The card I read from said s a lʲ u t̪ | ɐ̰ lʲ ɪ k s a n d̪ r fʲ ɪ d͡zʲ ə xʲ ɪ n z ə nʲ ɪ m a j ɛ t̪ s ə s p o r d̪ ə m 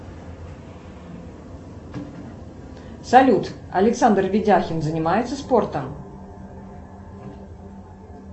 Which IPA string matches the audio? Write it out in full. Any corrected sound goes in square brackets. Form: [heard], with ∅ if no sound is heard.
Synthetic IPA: s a lʲ u t̪ | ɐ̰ lʲ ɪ k s a n d̪ r [vʲ] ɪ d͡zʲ [a] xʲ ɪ n z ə nʲ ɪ m a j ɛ t̪ s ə s p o r [t̪] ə m